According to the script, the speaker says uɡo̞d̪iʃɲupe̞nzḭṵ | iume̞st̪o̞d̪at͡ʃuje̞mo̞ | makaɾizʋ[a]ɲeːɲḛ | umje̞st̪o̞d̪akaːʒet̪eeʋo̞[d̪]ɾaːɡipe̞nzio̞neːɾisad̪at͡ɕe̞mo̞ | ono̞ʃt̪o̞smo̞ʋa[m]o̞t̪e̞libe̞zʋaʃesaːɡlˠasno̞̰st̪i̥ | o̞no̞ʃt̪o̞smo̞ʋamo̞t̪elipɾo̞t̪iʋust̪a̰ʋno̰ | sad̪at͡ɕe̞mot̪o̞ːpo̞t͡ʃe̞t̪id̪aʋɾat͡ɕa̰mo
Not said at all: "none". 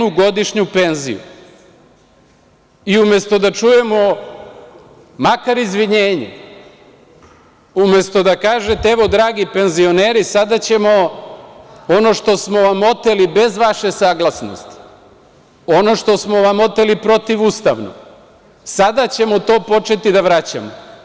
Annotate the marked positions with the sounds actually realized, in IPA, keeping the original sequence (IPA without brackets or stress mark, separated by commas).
i, d̪, m